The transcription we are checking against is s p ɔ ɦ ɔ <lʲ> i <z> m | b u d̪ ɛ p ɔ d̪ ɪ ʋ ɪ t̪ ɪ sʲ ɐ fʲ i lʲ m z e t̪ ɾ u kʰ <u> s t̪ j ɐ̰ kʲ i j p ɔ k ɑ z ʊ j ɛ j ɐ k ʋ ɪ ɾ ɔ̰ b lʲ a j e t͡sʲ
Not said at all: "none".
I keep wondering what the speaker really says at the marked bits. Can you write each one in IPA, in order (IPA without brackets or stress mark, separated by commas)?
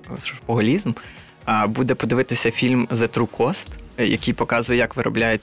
lʲ, z, ɔ